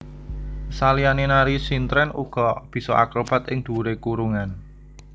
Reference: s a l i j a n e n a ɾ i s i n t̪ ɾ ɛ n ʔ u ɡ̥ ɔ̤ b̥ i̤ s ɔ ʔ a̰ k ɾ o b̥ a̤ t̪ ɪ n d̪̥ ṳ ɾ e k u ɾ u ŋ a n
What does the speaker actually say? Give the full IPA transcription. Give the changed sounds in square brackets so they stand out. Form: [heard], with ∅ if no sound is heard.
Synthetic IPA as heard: s a l i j a n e n a ɾ i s i n t̪ ɾ ɛ n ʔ u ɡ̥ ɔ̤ b̥ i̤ s ɔ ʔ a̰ k ɾ o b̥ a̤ t̪ ɪ [ŋ] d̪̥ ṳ ɾ e k u ɾ u ŋ a n

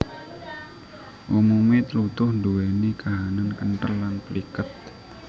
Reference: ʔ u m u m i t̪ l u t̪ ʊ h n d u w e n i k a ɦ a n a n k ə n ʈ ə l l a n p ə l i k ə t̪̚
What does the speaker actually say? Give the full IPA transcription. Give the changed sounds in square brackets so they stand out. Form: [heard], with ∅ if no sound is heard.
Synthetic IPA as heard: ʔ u m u m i t̪ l u t̪ ʊ h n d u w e n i k a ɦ a n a n k ə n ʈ ə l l a n p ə l i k ə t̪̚

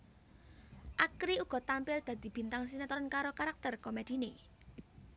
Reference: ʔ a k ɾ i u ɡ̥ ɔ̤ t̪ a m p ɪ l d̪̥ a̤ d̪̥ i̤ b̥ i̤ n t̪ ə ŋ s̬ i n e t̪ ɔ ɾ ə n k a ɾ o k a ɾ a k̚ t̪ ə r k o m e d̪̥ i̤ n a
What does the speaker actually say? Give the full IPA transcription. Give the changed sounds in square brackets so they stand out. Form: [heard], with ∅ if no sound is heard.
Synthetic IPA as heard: ʔ a k ɾ i u ɡ̥ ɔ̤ t̪ a m p ɪ l d̪̥ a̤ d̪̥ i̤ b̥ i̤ n t̪ [a] ŋ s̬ i n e t̪ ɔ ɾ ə n k a ɾ o k a ɾ a k̚ t̪ ə r k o m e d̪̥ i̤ n [e]

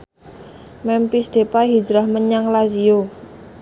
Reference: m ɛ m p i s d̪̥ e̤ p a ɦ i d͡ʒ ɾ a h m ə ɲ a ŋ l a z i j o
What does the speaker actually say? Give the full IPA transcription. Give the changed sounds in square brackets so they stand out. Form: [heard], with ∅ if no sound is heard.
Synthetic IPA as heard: m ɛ m p i s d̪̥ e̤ p a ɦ i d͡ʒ ɾ a h m ə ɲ a ŋ l a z i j o

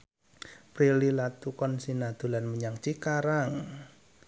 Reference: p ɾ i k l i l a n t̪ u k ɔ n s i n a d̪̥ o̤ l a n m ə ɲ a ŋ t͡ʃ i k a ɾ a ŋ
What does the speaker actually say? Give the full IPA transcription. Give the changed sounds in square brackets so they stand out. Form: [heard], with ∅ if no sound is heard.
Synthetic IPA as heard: p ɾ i [∅] l i l a [∅] t̪ u k ɔ n s i n a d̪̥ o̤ l a n m ə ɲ a ŋ t͡ʃ i k a ɾ a ŋ

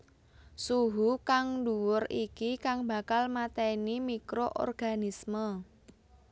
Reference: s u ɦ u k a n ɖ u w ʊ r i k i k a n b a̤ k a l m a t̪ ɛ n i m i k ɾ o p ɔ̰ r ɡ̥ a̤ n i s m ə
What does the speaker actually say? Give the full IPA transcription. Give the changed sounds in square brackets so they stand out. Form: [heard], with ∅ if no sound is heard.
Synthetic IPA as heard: s u ɦ u k a [ŋ] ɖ u w ʊ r i k i k a [ŋ] b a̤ k a l m a t̪ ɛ n i m i k ɾ o [ʔ] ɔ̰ r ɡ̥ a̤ n i s m ə

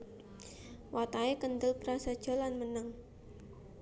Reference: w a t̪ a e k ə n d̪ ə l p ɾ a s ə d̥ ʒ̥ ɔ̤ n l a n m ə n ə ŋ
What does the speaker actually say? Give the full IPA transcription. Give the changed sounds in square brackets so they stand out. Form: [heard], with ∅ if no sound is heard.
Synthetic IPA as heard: w a t̪ a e k ə n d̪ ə l p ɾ a s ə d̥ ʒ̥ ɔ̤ [∅] l a n m ə n ə ŋ

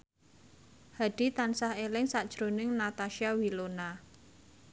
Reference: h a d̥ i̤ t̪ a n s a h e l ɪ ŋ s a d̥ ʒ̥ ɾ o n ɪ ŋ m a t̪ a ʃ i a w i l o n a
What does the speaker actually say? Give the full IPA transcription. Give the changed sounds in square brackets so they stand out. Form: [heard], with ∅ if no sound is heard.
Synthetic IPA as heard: h a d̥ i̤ t̪ a n s a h e l ɪ ŋ s a d̥ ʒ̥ ɾ o n ɪ ŋ [n] a t̪ a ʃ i a w i l o n a

